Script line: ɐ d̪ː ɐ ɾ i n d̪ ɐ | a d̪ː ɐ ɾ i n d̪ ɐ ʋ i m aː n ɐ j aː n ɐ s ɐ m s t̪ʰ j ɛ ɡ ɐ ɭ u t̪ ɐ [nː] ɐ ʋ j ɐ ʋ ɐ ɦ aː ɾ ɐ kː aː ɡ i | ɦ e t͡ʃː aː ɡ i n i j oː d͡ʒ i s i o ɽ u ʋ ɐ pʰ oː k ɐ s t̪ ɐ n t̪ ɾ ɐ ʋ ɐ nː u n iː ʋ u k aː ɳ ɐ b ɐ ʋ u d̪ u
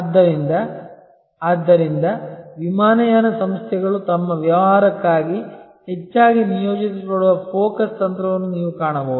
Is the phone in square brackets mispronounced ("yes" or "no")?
yes